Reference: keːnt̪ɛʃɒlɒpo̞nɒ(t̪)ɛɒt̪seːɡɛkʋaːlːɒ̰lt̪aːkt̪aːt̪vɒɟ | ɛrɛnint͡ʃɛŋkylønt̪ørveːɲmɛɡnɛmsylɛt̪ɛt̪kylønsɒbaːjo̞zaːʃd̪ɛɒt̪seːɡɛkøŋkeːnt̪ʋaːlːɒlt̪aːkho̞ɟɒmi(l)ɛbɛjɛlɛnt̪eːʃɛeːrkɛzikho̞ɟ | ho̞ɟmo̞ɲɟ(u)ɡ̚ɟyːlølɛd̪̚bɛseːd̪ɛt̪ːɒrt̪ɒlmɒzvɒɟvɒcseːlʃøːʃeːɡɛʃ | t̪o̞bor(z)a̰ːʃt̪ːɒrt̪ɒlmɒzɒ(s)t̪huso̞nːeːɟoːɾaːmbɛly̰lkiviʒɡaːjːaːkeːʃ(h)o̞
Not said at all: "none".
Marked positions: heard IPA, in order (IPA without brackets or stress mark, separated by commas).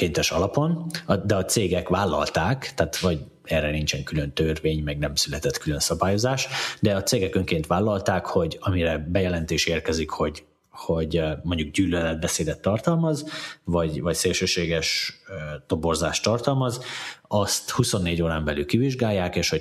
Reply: d̪, ɾ, u, z, s, h